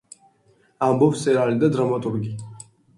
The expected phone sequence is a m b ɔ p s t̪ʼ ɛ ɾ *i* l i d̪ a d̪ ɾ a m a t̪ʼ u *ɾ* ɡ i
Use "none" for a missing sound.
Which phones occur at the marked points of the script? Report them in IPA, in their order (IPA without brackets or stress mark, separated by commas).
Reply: a, ɾ